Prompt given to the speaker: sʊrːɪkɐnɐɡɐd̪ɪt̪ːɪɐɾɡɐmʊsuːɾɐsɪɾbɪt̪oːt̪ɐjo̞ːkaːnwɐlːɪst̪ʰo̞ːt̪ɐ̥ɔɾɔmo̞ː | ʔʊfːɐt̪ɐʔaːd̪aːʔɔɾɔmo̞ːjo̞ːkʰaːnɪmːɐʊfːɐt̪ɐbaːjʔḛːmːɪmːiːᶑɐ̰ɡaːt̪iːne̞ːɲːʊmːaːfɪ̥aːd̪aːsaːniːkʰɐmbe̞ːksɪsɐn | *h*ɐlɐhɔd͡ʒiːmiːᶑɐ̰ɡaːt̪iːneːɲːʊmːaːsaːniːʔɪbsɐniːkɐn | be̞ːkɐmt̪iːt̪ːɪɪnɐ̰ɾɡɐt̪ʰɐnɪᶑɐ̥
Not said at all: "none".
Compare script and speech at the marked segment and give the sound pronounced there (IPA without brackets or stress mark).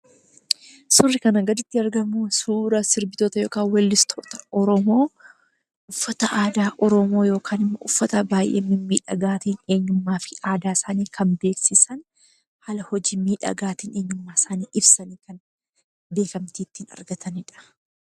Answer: h